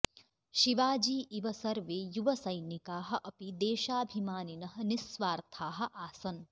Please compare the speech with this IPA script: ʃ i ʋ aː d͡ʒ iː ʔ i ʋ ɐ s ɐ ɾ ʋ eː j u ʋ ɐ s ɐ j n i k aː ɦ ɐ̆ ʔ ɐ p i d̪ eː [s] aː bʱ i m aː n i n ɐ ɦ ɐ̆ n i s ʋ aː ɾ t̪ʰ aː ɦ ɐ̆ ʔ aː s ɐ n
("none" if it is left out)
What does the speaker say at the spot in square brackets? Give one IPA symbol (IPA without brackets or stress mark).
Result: ʃ